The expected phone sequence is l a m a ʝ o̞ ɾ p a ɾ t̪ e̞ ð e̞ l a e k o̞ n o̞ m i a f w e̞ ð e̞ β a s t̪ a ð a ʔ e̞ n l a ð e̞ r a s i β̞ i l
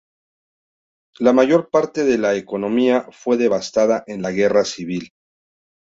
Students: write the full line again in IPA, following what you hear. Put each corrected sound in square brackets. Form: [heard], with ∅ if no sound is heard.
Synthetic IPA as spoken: l a m a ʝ o̞ ɾ p a ɾ t̪ e̞ ð e̞ l a e k o̞ n o̞ m i a f w e̞ ð e̞ β a s t̪ a ð a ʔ e̞ n l a [ɣ] e̞ r a s i β̞ i l